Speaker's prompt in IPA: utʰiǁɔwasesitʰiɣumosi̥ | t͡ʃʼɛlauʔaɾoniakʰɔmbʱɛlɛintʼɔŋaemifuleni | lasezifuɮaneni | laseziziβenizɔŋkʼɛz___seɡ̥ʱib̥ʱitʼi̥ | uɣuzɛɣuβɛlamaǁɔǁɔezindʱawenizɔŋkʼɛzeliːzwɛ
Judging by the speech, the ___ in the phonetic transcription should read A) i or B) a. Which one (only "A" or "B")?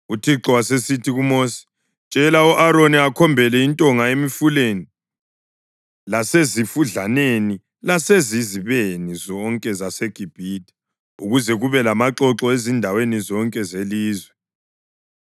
B